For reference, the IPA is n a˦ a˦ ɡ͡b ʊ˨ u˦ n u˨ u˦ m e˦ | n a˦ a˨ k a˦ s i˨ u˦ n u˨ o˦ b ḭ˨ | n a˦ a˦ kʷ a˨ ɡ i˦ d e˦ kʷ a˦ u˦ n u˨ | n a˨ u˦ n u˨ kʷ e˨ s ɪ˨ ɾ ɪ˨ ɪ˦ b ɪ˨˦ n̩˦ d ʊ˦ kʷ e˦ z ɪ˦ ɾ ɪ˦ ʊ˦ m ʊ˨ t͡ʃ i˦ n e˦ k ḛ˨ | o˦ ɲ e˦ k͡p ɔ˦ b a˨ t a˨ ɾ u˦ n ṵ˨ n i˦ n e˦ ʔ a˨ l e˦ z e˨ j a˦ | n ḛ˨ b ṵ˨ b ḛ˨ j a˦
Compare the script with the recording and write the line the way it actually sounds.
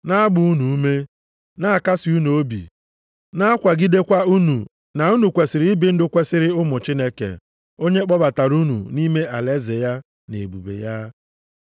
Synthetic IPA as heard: n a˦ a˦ ɡ͡b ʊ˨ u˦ n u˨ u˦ m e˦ | n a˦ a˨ k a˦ s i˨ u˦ n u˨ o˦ b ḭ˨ | n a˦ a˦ kʷ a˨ ɡ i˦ d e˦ kʷ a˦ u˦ n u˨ | n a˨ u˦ n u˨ kʷ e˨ s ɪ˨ ɾ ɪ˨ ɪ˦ b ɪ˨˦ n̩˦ d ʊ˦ kʷ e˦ s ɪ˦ ɾ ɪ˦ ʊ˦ m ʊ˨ t͡ʃ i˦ n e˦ k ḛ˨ | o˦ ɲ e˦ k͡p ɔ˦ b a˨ t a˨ ɾ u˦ n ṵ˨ n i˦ m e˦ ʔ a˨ l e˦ z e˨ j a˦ | n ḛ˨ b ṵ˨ b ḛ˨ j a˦